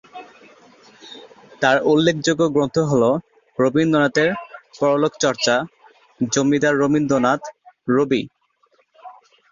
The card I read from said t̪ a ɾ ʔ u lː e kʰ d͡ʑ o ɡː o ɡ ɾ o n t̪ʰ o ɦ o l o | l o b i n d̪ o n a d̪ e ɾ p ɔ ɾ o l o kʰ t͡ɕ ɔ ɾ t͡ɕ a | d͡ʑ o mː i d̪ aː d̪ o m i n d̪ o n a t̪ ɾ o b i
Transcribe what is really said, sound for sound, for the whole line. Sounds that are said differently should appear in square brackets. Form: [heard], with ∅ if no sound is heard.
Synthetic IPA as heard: t̪ a ɾ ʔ u lː e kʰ d͡ʑ o ɡː o ɡ ɾ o n t̪ʰ o ɦ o l o | [ɾ] o b i n d̪ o n a [t̪] e ɾ p ɔ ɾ o l o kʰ t͡ɕ ɔ ɾ t͡ɕ a | d͡ʑ o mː i d̪ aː [∅] o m i n d̪ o n a t̪ ɾ o b i

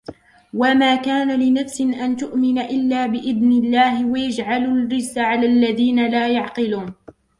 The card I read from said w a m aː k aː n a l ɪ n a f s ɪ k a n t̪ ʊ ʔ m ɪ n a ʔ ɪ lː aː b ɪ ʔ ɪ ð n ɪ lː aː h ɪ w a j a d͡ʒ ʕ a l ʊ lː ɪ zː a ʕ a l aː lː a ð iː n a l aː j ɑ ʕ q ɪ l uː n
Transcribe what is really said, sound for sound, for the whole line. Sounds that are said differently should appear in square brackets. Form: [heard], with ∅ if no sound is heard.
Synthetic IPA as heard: w a m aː k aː n a l ɪ n a f s ɪ [ʔ] a n t̪ ʊ ʔ m ɪ n a ʔ ɪ lː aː b ɪ ʔ ɪ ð n ɪ lː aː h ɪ w a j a d͡ʒ ʕ a l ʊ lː ɪ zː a ʕ a l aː lː a ð iː n a l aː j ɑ ʕ q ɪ l uː n

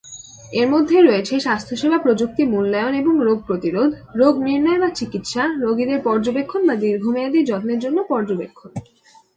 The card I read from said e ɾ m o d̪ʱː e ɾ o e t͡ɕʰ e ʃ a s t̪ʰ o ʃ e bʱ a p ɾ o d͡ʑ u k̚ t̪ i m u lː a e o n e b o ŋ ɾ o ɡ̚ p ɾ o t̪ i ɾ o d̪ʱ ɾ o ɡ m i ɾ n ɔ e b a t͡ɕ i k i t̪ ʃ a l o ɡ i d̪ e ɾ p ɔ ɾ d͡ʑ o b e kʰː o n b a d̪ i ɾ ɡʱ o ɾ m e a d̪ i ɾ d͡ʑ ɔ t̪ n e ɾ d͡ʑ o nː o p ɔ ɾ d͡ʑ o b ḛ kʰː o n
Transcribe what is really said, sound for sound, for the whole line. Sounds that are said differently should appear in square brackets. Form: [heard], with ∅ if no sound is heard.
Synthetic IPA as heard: e ɾ m o d̪ʱː e ɾ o e t͡ɕʰ e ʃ a s t̪ʰ o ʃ e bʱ a p ɾ o d͡ʑ u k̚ t̪ i m u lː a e o n e b o ŋ ɾ o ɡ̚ p ɾ o t̪ i ɾ o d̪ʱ ɾ o ɡ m i ɾ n ɔ e b a t͡ɕ i k i t̪ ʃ a [ɾ] o ɡ i d̪ e ɾ p ɔ ɾ d͡ʑ o b e kʰː o n b a d̪ i ɾ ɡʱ o [∅] m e a d̪ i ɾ d͡ʑ ɔ t̪ n e ɾ d͡ʑ o nː o p ɔ ɾ d͡ʑ o b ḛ kʰː o n

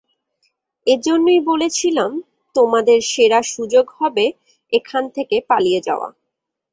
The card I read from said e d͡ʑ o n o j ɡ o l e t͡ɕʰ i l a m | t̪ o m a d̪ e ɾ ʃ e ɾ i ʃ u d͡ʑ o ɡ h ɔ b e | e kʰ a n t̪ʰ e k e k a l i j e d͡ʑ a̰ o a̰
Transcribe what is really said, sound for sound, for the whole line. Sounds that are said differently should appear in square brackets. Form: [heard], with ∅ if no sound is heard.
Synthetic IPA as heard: e d͡ʑ o [nː] o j [b] o l e t͡ɕʰ i l a m | t̪ o m a d̪ e ɾ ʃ e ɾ [a] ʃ u d͡ʑ o ɡ h ɔ b e | e kʰ a n t̪ʰ e k e [p] a l i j e d͡ʑ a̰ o a̰

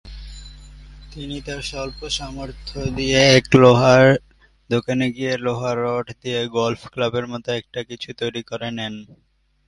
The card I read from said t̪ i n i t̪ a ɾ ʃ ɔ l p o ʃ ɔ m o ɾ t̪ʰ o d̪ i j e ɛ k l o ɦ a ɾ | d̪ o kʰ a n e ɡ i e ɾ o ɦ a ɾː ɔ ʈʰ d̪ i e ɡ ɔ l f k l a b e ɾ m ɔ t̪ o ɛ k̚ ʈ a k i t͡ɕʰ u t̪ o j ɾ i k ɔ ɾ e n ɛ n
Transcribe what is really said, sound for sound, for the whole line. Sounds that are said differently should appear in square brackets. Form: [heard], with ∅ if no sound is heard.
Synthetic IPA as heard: t̪ i n i t̪ a ɾ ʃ ɔ l p o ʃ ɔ m o ɾ t̪ʰ o d̪ i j e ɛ k l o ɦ a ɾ | d̪ o [k] a n e ɡ i e [l] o ɦ a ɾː ɔ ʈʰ d̪ i e ɡ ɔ l f k l a b e ɾ m ɔ t̪ o ɛ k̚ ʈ a k i t͡ɕʰ u t̪ o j ɾ i k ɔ ɾ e n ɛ n

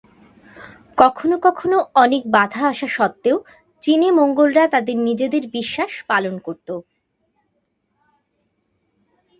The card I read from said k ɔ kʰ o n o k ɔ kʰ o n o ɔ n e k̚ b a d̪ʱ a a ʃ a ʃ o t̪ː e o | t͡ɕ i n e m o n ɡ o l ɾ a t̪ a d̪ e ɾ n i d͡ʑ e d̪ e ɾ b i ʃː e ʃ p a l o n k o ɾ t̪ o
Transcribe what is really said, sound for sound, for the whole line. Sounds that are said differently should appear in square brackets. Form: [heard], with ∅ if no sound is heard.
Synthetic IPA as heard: k ɔ kʰ o n o k ɔ kʰ o n o ɔ n e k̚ b a d̪ʱ a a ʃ a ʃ [ɔ] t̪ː e o | t͡ɕ i n e m o [ŋ] ɡ o l ɾ a t̪ a d̪ e ɾ n i d͡ʑ e d̪ e ɾ b i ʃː [a] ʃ p a l o n k o ɾ t̪ o

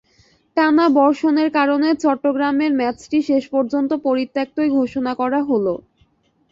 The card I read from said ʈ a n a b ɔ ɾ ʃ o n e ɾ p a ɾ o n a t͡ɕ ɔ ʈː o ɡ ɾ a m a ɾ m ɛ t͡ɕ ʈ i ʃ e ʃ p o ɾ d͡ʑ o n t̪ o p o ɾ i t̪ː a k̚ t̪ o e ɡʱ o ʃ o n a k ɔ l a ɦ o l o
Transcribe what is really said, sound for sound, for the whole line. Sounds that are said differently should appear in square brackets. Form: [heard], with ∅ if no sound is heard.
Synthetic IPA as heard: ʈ a n a b ɔ ɾ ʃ o n e ɾ [k] a ɾ o n [e] t͡ɕ ɔ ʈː o ɡ ɾ a m [e] ɾ m ɛ t͡ɕ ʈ i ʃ e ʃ p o ɾ d͡ʑ o n t̪ o p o ɾ i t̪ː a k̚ t̪ o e ɡʱ o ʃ o n a k ɔ [ɾ] a ɦ o l o

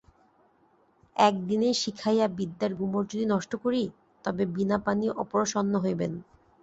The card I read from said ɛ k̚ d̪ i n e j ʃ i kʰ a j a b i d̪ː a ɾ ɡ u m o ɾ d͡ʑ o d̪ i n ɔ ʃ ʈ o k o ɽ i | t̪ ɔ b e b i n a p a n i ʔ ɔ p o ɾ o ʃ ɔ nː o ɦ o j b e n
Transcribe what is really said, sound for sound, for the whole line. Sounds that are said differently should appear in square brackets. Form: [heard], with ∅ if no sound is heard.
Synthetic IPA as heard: ɛ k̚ d̪ i n e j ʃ i kʰ a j a b i d̪ː a ɾ ɡ u m o ɾ d͡ʑ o d̪ i n ɔ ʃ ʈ o k o [ɾ] i | t̪ ɔ b e b i n a p a n i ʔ ɔ p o ɾ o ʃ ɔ nː o ɦ o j b e n

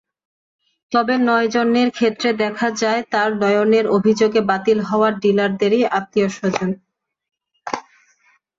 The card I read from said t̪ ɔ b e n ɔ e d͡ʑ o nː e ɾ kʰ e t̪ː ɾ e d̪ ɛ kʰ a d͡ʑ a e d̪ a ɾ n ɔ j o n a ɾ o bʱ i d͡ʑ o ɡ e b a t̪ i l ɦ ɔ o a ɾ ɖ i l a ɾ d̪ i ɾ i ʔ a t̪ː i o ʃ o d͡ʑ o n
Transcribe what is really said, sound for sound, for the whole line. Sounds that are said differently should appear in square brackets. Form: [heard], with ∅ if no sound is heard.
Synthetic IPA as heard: t̪ ɔ b e n ɔ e d͡ʑ o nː e ɾ kʰ e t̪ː ɾ e d̪ ɛ kʰ a d͡ʑ a e [t̪] a ɾ n ɔ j o n [e] ɾ o bʱ i d͡ʑ o ɡ e b a t̪ i l ɦ ɔ o a ɾ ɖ i l a ɾ d̪ [e] ɾ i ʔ a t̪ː i o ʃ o d͡ʑ o n

